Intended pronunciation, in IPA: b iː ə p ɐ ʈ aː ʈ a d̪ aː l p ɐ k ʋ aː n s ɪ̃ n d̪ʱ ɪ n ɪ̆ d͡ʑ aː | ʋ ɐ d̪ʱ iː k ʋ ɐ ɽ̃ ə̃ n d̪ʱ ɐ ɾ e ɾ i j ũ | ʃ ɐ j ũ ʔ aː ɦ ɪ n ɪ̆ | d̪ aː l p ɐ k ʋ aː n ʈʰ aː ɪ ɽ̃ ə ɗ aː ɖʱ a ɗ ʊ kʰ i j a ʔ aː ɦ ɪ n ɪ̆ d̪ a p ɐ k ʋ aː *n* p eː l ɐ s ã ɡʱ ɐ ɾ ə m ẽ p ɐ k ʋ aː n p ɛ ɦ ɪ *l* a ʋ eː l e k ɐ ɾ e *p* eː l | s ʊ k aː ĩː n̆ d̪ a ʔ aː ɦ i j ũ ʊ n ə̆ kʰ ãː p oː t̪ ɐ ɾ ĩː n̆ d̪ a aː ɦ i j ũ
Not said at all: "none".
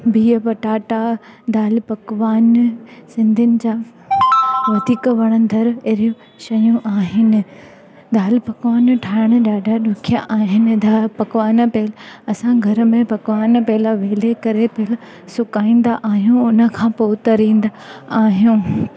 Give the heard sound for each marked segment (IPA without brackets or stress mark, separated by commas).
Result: n, l, p